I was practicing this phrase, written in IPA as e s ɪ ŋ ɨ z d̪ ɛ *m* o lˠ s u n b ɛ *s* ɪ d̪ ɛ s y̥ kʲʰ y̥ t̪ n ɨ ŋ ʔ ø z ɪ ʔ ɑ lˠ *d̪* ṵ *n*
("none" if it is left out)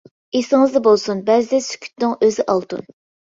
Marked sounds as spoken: b, z, t̪, n

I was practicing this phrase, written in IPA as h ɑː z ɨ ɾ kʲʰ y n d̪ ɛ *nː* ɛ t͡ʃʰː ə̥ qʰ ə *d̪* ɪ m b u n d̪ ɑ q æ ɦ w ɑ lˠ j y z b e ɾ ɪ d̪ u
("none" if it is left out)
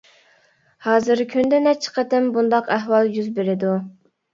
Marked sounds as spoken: n, t̪

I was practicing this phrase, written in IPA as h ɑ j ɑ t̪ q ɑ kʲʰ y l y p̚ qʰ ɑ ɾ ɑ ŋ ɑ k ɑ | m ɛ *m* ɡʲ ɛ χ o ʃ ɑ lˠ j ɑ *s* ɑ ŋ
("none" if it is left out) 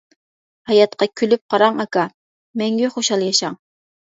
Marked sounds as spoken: ŋ, ʃ

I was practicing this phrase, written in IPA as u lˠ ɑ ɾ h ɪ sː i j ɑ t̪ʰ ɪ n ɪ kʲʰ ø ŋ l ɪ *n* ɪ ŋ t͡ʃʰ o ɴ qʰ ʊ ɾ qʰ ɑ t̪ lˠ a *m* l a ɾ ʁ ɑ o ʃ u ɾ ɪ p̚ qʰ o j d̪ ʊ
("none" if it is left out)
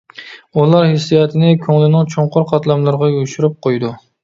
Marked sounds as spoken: n, m

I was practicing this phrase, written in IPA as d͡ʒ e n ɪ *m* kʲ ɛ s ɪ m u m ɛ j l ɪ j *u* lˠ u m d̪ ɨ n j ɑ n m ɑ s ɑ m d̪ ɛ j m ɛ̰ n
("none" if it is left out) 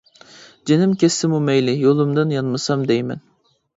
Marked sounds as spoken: m, o

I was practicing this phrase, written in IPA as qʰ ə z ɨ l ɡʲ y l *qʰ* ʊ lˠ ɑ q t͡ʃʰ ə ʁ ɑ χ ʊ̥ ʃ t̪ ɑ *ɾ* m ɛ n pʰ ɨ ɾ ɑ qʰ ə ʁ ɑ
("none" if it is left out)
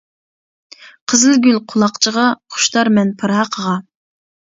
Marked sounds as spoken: qʰ, ɾ

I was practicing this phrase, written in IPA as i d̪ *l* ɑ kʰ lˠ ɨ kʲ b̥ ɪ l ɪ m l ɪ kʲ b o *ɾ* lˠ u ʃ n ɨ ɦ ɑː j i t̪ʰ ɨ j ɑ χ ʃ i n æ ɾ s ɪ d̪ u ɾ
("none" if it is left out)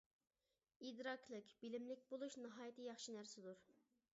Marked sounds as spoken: ɾ, none

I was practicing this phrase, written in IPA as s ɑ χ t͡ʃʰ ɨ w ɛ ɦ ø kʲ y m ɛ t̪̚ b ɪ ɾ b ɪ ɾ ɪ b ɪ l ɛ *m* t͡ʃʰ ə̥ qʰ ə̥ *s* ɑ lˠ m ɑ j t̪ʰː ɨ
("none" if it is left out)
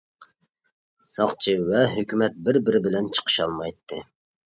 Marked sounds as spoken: n, ʃ

